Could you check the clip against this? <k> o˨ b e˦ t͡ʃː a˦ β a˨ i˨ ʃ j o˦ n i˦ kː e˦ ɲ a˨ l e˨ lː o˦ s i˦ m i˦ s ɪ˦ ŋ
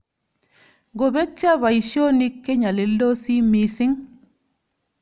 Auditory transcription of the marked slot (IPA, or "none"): ɡ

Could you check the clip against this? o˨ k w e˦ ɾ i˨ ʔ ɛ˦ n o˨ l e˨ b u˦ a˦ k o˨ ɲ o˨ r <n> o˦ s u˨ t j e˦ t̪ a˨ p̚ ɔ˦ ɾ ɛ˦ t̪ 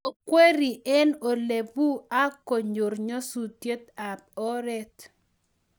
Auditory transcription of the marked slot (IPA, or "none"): ɲ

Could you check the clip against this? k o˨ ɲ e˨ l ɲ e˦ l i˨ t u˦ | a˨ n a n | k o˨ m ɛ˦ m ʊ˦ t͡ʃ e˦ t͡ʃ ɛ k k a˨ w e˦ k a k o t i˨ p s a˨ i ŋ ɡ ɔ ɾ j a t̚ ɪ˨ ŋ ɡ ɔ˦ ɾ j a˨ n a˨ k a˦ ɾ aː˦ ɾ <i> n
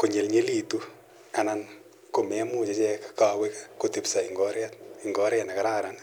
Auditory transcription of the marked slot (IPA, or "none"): a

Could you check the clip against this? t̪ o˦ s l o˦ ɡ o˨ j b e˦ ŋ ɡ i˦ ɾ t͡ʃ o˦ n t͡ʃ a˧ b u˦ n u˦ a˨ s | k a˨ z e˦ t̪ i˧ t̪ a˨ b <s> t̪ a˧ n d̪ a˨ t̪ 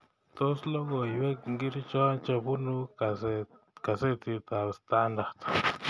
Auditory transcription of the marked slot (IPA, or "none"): s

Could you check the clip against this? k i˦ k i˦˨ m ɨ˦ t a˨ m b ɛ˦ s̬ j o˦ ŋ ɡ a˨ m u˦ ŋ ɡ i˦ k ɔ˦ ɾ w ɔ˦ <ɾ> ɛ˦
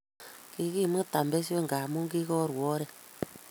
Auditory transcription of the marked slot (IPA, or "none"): ɾ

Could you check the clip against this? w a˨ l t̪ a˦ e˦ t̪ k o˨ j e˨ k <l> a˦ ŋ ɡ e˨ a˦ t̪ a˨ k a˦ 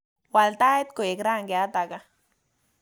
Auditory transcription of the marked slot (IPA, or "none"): ɾ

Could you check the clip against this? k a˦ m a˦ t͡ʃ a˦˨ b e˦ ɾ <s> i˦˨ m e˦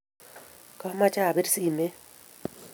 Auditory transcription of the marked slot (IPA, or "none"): s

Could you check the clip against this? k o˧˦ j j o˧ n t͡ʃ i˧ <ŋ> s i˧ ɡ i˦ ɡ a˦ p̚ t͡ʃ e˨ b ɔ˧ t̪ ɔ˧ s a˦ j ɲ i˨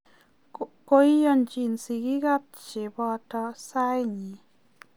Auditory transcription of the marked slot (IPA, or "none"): n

